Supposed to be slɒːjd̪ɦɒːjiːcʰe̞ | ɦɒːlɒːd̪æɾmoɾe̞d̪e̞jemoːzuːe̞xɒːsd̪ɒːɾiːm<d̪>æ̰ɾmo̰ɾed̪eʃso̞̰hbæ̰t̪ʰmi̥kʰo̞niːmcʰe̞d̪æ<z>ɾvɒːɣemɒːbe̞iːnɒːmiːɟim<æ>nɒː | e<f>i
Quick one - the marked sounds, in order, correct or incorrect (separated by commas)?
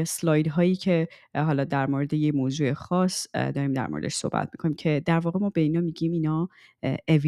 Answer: correct, incorrect, incorrect, incorrect